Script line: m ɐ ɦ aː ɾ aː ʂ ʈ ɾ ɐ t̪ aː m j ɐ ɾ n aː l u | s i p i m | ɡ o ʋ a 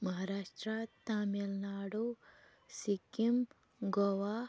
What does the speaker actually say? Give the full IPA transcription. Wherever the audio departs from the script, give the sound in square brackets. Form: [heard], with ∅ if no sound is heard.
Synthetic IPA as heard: m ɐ ɦ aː ɾ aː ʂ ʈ ɾ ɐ t̪ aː m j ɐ [l] n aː [ɽ] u | s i [k] i m | ɡ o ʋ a